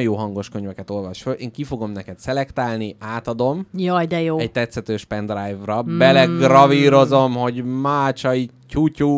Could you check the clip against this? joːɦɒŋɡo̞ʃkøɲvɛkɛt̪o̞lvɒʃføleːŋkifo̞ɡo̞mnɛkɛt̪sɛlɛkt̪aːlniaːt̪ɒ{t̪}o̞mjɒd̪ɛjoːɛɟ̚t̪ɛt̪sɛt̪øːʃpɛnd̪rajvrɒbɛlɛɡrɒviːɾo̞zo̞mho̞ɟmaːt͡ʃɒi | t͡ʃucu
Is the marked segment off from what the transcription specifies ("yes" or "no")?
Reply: yes